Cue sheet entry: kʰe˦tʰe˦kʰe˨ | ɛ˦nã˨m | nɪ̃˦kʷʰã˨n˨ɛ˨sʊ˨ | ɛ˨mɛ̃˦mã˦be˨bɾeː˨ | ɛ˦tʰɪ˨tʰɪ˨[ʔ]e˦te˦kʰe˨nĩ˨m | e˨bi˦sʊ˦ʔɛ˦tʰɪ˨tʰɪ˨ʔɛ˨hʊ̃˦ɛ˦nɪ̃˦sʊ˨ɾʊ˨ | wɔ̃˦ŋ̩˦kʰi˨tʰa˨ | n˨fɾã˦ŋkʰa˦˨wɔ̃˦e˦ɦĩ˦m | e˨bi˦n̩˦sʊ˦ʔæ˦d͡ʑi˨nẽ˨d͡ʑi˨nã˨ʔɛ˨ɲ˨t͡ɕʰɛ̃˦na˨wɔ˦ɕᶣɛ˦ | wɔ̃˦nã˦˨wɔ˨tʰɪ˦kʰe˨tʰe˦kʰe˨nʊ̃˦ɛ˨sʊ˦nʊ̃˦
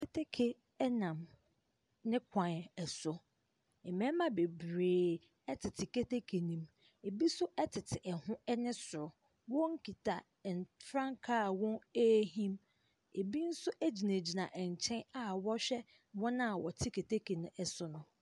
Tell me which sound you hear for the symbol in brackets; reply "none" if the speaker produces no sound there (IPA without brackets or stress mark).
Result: k